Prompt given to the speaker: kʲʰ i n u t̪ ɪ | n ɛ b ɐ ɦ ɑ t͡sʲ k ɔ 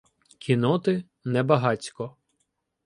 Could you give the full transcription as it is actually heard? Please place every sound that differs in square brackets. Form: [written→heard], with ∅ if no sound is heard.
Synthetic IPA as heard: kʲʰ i n [u→ɔ] t̪ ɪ | n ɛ b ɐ ɦ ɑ t͡sʲ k ɔ